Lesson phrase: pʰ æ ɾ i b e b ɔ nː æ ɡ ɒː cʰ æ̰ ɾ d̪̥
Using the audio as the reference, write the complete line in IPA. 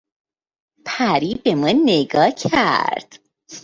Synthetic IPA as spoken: pʰ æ ɾ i b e m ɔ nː e ɡ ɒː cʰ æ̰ ɾ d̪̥